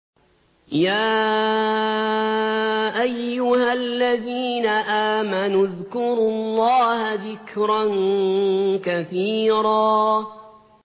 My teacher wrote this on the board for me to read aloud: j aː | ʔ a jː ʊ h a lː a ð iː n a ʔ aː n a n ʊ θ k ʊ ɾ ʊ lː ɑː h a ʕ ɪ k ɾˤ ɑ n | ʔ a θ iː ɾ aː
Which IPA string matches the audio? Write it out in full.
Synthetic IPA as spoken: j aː | ʔ a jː ʊ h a lː a ð iː n a ʔ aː m a n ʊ ð k ʊ ɾ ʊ lː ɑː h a ð ɪ k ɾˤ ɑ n | k a θ iː ɾ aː